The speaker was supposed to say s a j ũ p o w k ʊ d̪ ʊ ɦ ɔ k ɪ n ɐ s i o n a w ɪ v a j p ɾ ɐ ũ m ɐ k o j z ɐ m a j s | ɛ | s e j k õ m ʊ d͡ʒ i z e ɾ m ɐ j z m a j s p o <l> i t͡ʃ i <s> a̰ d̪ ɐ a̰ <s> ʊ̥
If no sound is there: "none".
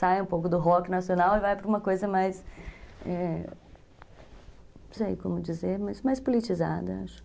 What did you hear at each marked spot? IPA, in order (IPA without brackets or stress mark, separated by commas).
l, z, ʃ